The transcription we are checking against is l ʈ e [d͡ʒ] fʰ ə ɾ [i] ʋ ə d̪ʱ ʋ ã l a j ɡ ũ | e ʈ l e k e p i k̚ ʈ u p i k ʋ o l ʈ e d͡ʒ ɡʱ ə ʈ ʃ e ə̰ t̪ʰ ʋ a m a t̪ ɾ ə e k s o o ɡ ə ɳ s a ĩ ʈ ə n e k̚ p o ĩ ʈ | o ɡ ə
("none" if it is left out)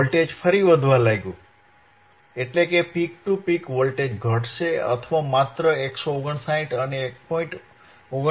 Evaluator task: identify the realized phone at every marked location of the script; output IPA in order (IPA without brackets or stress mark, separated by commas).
d͡ʒ, i